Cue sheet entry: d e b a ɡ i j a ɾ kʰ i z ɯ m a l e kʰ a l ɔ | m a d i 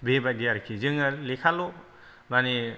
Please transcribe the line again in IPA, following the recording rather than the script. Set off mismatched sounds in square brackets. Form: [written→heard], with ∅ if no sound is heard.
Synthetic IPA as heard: [d→b] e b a [ɡ→d] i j a ɾ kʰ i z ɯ [m→ŋ] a l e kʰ a l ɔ | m a [d→n] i